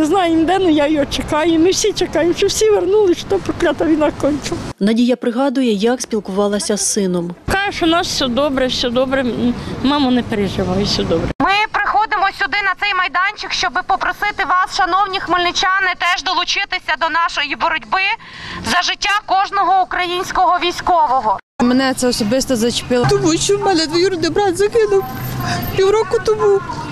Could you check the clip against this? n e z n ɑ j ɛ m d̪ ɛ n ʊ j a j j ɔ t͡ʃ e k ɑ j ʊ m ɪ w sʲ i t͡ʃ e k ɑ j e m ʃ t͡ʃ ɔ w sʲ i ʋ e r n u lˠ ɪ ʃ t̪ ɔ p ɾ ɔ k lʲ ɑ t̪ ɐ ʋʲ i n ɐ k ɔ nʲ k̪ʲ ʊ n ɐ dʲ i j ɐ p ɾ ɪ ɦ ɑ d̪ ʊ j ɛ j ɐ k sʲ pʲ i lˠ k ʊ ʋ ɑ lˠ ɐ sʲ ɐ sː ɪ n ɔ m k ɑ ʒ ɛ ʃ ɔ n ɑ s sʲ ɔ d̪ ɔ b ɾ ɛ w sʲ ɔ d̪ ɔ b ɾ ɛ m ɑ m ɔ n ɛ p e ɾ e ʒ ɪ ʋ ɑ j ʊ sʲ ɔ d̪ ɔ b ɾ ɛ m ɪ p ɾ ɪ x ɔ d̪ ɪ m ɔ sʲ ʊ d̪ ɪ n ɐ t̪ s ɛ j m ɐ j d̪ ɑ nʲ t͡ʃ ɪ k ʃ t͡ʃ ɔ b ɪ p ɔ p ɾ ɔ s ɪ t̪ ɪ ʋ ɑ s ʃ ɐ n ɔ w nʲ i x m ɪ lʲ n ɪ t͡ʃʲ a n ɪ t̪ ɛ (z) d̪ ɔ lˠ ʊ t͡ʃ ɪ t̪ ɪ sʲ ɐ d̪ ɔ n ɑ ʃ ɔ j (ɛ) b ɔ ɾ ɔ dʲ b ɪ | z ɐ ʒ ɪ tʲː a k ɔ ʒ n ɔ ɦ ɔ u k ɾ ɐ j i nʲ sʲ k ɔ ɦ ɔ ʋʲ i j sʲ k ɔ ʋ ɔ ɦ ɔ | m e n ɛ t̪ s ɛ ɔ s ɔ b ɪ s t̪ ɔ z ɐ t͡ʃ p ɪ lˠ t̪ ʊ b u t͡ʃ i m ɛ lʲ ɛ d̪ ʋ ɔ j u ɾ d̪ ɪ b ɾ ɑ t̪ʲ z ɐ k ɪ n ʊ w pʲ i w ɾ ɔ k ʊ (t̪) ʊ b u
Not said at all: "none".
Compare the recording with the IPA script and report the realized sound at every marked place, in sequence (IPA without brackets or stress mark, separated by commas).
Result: ʒ, i, t̪